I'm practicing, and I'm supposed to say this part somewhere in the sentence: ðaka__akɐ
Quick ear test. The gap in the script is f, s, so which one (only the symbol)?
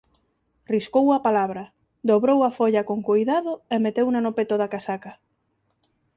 s